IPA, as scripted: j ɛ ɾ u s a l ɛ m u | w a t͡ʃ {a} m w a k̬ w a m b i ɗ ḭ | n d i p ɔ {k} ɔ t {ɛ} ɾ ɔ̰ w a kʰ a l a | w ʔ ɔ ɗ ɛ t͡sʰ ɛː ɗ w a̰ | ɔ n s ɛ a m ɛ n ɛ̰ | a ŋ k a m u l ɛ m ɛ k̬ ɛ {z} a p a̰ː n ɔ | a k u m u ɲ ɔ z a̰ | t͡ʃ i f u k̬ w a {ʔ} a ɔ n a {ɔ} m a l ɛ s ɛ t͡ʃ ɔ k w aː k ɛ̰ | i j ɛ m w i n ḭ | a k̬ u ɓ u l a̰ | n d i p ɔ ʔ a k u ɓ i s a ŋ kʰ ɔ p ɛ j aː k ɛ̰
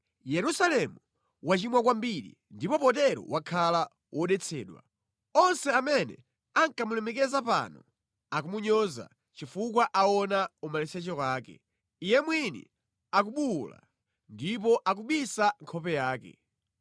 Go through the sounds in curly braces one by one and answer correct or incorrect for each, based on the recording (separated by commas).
incorrect, incorrect, correct, correct, correct, incorrect